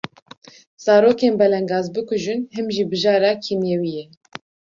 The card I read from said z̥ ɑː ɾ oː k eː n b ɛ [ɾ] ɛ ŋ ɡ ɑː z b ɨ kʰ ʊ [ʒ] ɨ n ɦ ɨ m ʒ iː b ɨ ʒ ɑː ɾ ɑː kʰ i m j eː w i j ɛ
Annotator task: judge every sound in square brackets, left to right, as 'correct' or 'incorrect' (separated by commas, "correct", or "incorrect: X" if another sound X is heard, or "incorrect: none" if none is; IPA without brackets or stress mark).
incorrect: l, correct